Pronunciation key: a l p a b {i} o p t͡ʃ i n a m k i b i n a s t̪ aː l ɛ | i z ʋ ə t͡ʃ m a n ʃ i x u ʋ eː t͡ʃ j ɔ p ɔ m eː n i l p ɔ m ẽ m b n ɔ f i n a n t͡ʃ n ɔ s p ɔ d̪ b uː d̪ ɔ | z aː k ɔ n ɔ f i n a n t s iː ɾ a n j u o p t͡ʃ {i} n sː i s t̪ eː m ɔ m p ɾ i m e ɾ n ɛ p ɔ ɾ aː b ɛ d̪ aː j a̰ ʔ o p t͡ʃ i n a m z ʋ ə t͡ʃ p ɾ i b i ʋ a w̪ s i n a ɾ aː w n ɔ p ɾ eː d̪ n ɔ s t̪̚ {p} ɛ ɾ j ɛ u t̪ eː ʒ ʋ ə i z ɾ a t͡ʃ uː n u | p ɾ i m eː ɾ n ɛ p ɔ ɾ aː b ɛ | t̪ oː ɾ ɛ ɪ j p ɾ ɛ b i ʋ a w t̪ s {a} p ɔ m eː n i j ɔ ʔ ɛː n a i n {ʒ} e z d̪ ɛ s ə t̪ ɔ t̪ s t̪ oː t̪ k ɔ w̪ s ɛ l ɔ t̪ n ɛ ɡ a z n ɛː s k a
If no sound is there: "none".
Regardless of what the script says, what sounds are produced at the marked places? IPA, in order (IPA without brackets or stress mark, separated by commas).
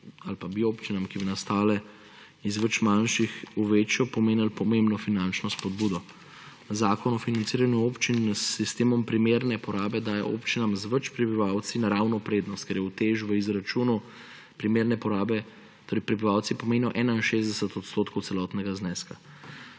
i, i, k, i, ʃ